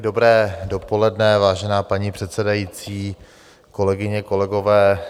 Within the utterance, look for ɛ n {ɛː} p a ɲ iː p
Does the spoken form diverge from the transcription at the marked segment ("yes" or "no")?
yes